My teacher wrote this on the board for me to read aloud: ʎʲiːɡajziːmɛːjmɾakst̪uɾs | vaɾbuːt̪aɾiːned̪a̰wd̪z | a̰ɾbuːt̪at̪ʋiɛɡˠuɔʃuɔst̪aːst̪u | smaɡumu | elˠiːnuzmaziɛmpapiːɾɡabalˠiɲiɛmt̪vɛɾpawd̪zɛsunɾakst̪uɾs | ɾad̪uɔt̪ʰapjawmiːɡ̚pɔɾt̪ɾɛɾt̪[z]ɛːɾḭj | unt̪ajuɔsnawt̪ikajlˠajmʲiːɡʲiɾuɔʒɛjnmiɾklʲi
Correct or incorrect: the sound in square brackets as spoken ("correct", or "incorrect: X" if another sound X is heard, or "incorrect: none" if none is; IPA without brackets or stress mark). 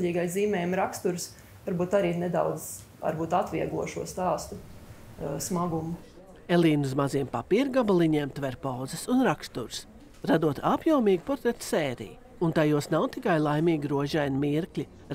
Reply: incorrect: s